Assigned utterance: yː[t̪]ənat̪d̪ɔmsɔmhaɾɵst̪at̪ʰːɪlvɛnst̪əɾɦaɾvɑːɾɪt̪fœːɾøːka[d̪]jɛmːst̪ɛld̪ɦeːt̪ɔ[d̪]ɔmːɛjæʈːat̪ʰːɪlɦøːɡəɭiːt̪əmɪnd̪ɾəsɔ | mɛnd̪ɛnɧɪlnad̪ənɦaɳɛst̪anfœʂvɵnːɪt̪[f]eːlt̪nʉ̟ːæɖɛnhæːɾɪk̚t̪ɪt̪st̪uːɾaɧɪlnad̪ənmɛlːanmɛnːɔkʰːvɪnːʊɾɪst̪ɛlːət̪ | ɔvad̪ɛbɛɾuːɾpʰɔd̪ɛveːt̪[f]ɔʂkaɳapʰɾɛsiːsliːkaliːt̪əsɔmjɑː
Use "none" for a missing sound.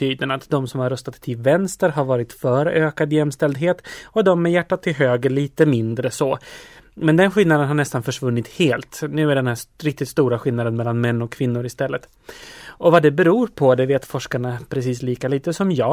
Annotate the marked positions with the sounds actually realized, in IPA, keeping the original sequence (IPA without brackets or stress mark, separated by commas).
d̪, d̪, d̪, h, f